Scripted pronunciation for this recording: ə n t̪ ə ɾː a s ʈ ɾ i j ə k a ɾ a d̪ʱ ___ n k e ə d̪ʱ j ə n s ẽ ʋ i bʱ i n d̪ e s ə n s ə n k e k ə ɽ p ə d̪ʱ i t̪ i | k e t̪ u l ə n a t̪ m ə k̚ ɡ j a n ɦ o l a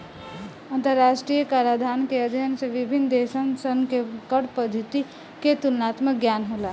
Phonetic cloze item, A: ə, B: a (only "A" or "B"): B